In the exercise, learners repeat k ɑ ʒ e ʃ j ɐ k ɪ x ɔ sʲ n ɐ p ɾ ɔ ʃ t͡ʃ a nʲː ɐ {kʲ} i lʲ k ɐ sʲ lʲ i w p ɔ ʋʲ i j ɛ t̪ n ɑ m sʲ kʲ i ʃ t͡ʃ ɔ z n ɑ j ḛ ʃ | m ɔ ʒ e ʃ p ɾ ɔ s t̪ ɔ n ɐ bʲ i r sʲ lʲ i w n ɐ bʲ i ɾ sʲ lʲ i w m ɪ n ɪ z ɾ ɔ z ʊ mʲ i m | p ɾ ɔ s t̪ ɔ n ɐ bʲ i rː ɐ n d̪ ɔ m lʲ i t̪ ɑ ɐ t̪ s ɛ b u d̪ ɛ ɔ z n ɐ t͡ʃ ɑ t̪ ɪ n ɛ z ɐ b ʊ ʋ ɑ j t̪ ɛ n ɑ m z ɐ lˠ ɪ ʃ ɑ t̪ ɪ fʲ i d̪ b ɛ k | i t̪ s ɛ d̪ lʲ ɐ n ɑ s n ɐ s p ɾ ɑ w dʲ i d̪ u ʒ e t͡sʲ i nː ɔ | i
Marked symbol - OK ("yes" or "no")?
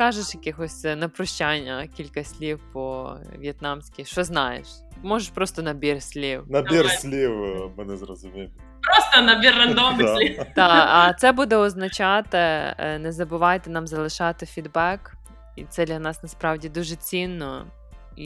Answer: yes